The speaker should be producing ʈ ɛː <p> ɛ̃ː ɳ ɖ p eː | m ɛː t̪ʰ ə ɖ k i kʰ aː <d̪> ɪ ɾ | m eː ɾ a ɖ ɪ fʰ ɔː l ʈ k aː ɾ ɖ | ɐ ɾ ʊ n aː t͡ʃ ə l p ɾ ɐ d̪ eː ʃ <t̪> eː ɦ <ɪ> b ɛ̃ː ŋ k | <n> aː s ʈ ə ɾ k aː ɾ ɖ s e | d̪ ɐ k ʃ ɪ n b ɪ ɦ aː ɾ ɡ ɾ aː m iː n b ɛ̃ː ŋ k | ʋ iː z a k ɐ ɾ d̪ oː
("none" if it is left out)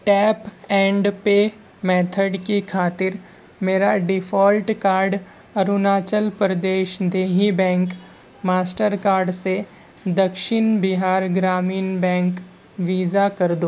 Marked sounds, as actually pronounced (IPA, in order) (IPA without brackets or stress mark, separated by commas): p, t̪, d̪, i, m